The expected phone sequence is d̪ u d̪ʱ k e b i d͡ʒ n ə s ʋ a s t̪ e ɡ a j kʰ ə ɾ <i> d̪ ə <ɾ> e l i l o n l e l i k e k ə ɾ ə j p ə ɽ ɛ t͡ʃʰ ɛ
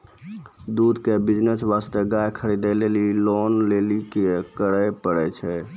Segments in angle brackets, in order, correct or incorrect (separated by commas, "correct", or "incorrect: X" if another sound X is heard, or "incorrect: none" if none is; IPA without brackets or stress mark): correct, incorrect: l